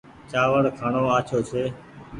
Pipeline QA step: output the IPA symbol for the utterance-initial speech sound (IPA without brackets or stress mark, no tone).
t͡ʃ